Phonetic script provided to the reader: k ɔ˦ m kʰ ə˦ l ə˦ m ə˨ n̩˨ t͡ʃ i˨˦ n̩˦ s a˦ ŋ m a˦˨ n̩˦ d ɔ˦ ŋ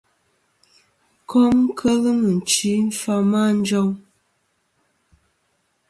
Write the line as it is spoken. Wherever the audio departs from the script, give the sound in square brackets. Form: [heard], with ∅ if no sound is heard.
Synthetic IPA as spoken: k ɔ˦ m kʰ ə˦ l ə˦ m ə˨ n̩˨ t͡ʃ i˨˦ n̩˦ [f] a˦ [∅] m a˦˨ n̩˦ [d͡ʒ] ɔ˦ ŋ